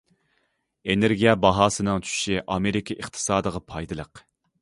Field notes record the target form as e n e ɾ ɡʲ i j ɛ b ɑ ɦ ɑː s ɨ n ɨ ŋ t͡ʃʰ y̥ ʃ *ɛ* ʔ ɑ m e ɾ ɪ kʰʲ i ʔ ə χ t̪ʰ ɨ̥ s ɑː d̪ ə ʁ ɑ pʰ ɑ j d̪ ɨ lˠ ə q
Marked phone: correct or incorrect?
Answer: incorrect